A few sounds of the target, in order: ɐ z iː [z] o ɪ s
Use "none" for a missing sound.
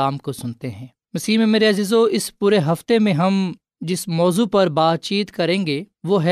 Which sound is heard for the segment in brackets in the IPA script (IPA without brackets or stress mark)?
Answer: z